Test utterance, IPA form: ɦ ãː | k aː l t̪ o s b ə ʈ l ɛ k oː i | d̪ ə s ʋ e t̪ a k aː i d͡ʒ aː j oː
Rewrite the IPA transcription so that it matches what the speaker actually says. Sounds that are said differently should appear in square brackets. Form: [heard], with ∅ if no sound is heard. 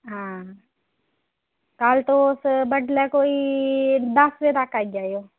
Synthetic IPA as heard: ɦ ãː | k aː l t̪ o s b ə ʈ l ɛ k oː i | d̪ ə s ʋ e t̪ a k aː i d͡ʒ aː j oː